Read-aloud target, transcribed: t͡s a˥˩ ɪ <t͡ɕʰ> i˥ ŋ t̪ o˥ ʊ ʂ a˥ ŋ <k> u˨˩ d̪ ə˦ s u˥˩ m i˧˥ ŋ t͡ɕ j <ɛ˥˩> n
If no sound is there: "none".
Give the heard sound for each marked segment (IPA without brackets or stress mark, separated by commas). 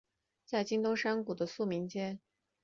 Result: t͡ɕ, k, ɛ˥